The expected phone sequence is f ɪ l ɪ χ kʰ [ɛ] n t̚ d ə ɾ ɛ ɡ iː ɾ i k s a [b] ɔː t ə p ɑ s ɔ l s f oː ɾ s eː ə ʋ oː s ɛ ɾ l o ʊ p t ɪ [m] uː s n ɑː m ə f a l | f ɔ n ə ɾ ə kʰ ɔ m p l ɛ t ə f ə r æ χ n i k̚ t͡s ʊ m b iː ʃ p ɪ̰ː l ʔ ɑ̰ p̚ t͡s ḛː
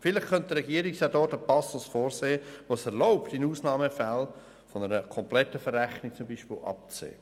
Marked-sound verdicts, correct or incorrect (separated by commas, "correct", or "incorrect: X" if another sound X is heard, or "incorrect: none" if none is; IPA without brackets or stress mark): incorrect: œ, incorrect: d, incorrect: n